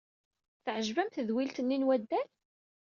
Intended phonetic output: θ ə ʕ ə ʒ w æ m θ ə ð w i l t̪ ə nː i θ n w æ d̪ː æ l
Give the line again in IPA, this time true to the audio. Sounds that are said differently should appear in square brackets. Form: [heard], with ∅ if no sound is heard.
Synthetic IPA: θ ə ʕ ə ʒ [v] æ m θ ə ð w i l t̪ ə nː i [∅] n w æ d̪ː æ l